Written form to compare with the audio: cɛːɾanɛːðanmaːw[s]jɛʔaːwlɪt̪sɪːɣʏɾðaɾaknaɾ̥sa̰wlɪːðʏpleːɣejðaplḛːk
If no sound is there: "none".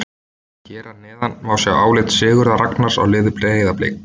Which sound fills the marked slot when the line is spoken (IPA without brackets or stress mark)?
s